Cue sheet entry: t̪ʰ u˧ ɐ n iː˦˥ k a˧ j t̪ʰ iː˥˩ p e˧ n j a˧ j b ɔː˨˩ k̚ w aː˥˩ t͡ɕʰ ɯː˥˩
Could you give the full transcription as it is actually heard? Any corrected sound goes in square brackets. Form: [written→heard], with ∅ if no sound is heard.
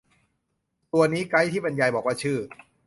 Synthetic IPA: [t̪ʰ→t̪] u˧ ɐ n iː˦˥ k [a˧→a˦˥] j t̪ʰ iː˥˩ p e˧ n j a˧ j b ɔː˨˩ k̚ w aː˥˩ t͡ɕʰ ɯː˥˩

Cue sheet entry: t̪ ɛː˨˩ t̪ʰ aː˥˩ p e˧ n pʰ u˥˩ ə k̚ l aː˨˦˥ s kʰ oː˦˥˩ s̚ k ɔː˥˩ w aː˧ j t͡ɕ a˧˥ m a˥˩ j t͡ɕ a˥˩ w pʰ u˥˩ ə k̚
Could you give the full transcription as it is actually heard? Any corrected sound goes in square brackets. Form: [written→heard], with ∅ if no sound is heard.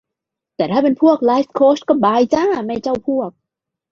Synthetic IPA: t̪ ɛː˨˩ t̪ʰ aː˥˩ p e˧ n pʰ u˥˩ ə k̚ l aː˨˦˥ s kʰ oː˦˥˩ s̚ k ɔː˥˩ [w→b] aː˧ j t͡ɕ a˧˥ m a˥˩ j t͡ɕ a˥˩ w pʰ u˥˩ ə k̚

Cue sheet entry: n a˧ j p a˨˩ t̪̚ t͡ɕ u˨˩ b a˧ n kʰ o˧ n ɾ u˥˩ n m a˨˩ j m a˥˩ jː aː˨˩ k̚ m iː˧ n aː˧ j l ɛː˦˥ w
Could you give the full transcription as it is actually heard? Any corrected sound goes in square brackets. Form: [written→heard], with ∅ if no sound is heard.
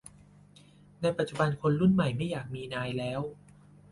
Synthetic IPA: n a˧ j p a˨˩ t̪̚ t͡ɕ u˨˩ b a˧ n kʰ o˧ n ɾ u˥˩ n m a˨˩ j m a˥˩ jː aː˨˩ k̚ m iː˧ n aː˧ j l ɛː˦˥ w

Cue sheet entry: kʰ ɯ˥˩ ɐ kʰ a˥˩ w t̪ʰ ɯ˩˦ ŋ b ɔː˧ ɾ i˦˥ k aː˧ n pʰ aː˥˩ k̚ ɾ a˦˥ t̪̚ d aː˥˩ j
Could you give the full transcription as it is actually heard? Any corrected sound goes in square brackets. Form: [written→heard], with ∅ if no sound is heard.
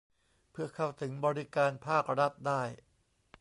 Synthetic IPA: [kʰ→pʰ] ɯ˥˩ ɐ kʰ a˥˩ w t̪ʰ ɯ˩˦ ŋ b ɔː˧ ɾ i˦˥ k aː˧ n pʰ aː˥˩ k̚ ɾ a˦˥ t̪̚ d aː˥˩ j

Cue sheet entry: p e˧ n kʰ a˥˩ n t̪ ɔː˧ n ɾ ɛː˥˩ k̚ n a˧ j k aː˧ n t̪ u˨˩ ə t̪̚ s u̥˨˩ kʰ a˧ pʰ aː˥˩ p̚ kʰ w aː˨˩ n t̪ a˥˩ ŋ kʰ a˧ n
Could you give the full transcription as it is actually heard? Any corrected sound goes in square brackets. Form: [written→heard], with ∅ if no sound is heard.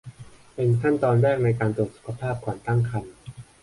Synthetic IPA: p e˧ n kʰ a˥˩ n t̪ ɔː˧ n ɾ ɛː˥˩ k̚ n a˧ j k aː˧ n t̪ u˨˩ ə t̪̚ s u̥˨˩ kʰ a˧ pʰ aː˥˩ p̚ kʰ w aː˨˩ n t̪ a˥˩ ŋ kʰ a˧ n

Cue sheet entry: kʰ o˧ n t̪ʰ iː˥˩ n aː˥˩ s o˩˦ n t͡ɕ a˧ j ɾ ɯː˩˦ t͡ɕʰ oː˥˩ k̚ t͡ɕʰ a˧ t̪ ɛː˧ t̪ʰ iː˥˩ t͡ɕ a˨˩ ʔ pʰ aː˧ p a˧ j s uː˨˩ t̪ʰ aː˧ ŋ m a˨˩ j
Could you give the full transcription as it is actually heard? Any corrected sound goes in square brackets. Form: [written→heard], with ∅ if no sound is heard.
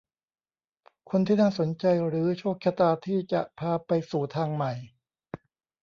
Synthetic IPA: kʰ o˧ n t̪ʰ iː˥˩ n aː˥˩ s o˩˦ n t͡ɕ a˧ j ɾ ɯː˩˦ t͡ɕʰ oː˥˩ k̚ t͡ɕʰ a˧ t̪ [ɛː˧→aː˧] t̪ʰ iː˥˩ t͡ɕ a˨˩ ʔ pʰ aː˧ p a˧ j s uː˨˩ t̪ʰ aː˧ ŋ m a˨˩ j

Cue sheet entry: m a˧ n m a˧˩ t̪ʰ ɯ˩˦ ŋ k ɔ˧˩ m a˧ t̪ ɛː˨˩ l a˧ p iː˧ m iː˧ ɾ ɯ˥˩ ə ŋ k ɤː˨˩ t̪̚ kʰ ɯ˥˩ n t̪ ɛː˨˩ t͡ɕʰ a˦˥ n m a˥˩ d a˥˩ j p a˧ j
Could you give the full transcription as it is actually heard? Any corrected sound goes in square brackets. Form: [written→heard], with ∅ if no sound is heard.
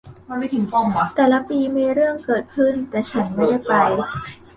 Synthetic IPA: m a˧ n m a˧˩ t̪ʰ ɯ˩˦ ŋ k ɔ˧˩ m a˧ t̪ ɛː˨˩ l [a˧→a˦˥] p iː˧ m iː˧ ɾ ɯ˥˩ ə ŋ k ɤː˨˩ t̪̚ kʰ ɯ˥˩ n t̪ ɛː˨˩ t͡ɕʰ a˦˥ n m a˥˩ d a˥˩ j p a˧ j

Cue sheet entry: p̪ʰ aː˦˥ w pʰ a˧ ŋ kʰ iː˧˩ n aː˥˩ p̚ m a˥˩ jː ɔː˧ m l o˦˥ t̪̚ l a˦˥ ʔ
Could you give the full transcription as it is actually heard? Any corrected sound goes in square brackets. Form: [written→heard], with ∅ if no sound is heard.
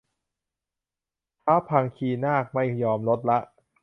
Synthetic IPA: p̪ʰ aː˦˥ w pʰ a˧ ŋ kʰ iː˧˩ n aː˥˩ [p̚→k̚] m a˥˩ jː ɔː˧ m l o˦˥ t̪̚ l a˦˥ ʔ

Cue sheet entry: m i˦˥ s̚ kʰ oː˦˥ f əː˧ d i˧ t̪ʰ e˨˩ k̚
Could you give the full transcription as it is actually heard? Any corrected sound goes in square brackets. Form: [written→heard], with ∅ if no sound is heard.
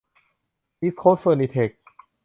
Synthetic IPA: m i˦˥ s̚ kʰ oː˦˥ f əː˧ [d→n] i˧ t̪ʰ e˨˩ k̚

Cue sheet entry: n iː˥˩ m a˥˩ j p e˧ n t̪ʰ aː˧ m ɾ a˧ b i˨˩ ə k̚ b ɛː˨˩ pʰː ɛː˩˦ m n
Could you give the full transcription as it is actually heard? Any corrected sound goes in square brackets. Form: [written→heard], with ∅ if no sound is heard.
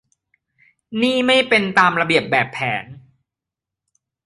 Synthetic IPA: n iː˥˩ m a˥˩ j p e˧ n [t̪ʰ→t̪] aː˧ m ɾ a˧ b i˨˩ ə [k̚→p̚] b ɛː˨˩ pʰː ɛː˩˦ [m→∅] n

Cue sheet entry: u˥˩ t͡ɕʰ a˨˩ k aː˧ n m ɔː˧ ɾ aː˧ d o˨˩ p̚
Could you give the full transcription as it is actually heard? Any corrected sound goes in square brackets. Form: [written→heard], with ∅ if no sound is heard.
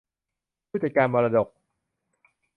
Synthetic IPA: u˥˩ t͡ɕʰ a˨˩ k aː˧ n m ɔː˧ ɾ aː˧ d o˨˩ [p̚→k̚]

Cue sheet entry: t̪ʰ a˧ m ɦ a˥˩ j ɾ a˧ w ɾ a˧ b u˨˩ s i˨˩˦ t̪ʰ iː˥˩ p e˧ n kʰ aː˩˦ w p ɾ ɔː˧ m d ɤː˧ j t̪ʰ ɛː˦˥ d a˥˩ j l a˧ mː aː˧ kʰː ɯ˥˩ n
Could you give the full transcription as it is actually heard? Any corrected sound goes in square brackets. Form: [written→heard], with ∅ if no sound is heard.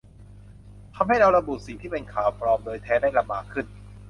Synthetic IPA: t̪ʰ a˧ m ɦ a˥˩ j ɾ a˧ w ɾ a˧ b u˨˩ s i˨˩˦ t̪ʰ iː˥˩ p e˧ n kʰ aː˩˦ w p ɾ ɔː˧ m d ɤː˧ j t̪ʰ ɛː˦˥ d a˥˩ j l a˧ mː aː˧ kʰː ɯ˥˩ n

